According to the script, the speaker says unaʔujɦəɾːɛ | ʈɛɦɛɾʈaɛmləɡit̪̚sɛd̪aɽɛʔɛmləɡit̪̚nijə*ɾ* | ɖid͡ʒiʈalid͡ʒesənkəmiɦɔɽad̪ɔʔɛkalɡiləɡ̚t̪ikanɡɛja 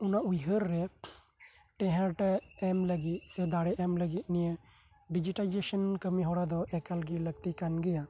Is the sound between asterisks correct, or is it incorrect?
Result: incorrect